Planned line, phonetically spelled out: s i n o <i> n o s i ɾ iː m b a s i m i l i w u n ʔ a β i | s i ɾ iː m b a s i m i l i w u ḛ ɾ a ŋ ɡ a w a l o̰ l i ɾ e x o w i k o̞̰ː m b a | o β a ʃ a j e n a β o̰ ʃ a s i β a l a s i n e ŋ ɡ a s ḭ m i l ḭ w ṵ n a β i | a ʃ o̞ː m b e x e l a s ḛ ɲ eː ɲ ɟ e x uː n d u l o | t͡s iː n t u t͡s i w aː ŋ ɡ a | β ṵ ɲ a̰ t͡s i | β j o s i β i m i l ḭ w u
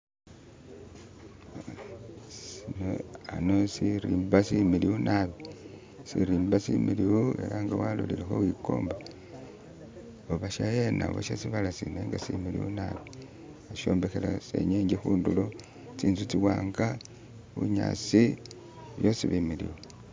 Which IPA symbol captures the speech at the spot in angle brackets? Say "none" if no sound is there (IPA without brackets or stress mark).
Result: a